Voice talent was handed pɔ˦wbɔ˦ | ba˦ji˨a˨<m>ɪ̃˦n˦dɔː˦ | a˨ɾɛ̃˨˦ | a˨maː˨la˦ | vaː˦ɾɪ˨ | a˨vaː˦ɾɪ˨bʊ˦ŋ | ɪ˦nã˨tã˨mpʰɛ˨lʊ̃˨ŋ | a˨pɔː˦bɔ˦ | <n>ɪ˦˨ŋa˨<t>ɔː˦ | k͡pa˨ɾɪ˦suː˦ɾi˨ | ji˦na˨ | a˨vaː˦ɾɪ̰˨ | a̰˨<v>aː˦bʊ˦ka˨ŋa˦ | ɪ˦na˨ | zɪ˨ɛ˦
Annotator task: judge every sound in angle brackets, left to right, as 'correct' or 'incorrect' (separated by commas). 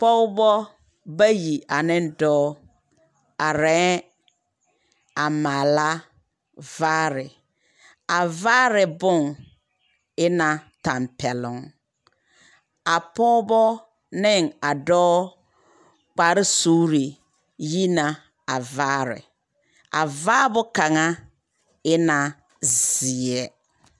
incorrect, correct, incorrect, correct